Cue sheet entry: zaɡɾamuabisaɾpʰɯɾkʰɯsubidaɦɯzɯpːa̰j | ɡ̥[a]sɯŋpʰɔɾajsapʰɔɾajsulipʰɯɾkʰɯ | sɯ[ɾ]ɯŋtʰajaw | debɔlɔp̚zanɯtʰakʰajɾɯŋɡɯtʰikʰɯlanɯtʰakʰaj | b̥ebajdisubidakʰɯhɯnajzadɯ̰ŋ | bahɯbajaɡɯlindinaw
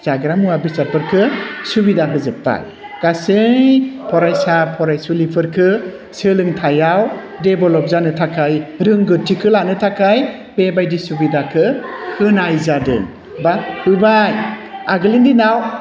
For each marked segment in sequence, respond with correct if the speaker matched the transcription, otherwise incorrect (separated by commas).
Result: correct, incorrect